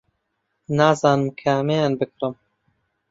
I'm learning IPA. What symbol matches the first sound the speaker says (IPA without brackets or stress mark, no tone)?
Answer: n